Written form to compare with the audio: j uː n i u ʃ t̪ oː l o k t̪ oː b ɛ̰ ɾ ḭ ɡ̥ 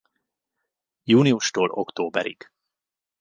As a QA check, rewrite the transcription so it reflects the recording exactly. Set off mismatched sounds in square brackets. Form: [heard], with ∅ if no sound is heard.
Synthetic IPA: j uː n i u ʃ t̪ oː l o k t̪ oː b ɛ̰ ɾ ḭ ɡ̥

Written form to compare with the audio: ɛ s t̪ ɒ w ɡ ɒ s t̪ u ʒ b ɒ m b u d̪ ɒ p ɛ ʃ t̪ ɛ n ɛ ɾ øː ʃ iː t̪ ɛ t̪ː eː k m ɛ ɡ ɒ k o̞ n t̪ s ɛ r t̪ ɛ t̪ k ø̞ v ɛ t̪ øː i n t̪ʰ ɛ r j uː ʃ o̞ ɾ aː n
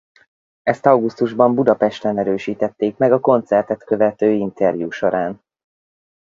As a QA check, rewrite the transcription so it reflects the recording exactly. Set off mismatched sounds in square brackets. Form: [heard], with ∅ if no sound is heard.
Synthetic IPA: ɛ s t̪ ɒ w ɡ [u] s t̪ u ʒ b ɒ m b u d̪ ɒ p ɛ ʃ t̪ ɛ n ɛ ɾ øː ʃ iː t̪ ɛ t̪ː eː k m ɛ ɡ ɒ k o̞ n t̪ s ɛ r t̪ ɛ t̪ k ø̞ v ɛ t̪ øː i n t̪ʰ ɛ r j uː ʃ o̞ ɾ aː n

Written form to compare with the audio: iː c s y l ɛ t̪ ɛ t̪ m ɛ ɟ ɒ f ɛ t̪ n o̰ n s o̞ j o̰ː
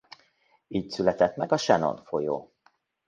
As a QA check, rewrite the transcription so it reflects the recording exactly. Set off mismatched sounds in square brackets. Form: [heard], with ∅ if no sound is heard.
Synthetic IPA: iː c s y l ɛ t̪ ɛ t̪ m ɛ [ɡ] ɒ [ʃ] ɛ [∅] n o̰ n [f] o̞ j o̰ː

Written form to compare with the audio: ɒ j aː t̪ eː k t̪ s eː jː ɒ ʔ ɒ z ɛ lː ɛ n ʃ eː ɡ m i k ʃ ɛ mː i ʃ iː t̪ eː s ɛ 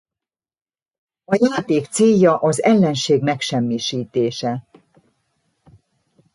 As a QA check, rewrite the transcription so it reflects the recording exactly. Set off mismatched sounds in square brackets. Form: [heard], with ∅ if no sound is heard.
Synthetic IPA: ɒ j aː t̪ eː k t̪ s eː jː ɒ ʔ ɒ z ɛ lː ɛ n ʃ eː ɡ m [ɛ] k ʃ ɛ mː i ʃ iː t̪ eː [ʃ] ɛ

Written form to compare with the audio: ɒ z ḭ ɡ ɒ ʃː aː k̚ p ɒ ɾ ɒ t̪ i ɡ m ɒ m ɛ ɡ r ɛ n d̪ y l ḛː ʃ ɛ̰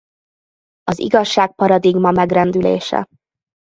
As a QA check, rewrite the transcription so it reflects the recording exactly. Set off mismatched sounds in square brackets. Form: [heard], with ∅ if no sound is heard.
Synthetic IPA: ɒ z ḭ ɡ ɒ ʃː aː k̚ p ɒ ɾ ɒ [d̪] i ɡ m ɒ m ɛ ɡ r ɛ n d̪ y l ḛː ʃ ɛ̰

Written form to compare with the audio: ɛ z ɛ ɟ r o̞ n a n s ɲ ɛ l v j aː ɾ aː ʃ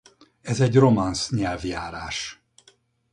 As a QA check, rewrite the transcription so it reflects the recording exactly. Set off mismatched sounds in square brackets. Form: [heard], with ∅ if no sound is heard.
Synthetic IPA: ɛ z ɛ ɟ r o̞ [m] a n s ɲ ɛ l v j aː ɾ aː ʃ

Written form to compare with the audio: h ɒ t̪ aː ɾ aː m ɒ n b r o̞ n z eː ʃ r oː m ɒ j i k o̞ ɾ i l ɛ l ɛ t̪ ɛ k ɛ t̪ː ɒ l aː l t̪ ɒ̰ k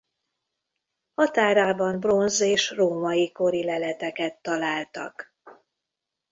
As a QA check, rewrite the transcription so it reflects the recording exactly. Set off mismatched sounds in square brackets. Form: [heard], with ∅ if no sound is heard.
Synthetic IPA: h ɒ t̪ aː ɾ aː [b] ɒ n b r o̞ n z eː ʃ r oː m ɒ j i k o̞ ɾ i l ɛ l ɛ t̪ ɛ k ɛ t̪ː ɒ l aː l t̪ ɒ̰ k

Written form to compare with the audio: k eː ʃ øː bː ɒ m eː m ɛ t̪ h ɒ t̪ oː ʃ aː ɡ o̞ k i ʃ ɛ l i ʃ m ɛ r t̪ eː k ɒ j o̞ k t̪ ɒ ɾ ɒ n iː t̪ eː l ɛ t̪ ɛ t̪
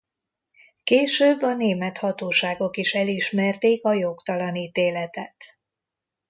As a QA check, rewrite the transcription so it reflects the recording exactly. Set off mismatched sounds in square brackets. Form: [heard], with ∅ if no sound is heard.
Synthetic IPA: k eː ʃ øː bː ɒ [n] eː m ɛ t̪ h ɒ t̪ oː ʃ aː ɡ o̞ k i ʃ ɛ l i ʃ m ɛ r t̪ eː k ɒ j o̞ k t̪ ɒ [l] ɒ n iː t̪ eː l ɛ t̪ ɛ t̪

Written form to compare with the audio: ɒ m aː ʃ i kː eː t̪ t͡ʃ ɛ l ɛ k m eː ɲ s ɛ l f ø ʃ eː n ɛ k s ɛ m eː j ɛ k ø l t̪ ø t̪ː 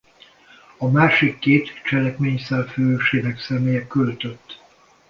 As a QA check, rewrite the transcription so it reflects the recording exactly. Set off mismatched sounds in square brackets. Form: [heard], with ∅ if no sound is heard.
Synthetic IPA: ɒ m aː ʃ i kː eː t̪ t͡ʃ ɛ l ɛ k m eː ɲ s ɛ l f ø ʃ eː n ɛ k s ɛ m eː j ɛ k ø l t̪ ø t̪ː

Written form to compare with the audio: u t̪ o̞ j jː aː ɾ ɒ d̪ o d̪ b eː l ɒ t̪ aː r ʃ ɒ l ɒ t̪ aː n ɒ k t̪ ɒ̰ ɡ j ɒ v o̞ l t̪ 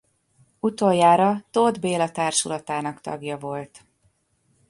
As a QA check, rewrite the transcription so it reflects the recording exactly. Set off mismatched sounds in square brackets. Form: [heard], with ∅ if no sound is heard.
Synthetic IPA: u t̪ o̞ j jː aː ɾ ɒ [t̪] o d̪ b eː l ɒ t̪ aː r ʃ [u] l ɒ t̪ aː n ɒ k t̪ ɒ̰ ɡ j ɒ v o̞ l t̪

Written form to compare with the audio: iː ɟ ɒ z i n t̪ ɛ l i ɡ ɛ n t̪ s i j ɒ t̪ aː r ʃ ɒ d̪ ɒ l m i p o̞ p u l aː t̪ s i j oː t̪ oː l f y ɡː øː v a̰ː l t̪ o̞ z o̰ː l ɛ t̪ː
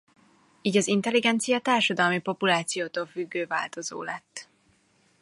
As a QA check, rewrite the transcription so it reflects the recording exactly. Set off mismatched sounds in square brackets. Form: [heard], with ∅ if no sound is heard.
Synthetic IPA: iː ɟ ɒ z i n t̪ ɛ l i ɡ ɛ n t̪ s i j ɒ t̪ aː r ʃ ɒ d̪ ɒ l m i p o̞ p u l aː t̪ s i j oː t̪ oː l f y ɡː øː v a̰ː l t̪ o̞ z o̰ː l ɛ t̪ː

